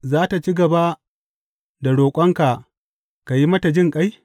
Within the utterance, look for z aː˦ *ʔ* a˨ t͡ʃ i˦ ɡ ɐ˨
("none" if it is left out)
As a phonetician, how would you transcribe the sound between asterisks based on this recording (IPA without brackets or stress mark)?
t